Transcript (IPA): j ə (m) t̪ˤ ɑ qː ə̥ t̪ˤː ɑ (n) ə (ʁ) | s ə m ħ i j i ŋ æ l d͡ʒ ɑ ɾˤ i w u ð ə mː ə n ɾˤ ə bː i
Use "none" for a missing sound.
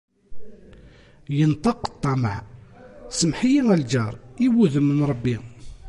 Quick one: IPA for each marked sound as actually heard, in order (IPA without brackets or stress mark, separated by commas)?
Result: n, m, ʕ